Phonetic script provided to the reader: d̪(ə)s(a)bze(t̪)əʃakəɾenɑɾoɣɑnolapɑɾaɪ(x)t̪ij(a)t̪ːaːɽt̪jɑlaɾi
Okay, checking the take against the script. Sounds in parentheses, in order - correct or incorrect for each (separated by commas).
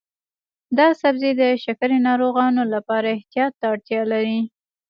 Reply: incorrect, correct, incorrect, incorrect, incorrect